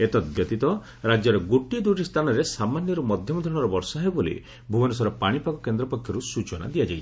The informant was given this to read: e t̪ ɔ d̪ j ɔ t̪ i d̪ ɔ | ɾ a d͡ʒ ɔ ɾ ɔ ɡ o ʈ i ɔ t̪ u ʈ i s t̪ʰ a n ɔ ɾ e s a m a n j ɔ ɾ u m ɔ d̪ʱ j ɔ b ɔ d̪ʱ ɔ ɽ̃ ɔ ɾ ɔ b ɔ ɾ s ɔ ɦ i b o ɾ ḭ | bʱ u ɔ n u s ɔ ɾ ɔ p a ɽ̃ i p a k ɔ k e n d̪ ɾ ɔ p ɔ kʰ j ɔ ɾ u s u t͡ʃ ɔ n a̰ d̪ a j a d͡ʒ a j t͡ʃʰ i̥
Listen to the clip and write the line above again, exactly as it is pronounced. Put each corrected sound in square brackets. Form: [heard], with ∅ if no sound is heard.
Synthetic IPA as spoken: e t̪ ɔ d̪ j ɔ t̪ i [t̪] ɔ | ɾ a d͡ʒ ɔ ɾ ɔ ɡ o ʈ i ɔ [d̪] u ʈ i s t̪ʰ a n ɔ ɾ e s a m a n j ɔ ɾ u m ɔ d̪ʱ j ɔ [m] ɔ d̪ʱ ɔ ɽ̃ ɔ ɾ ɔ b ɔ ɾ s ɔ ɦ [e] b o [l] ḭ | bʱ u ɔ n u s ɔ ɾ ɔ p a ɽ̃ i p a k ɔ k e n d̪ ɾ ɔ p ɔ kʰ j ɔ ɾ u s u t͡ʃ ɔ n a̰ d̪ [i] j a d͡ʒ a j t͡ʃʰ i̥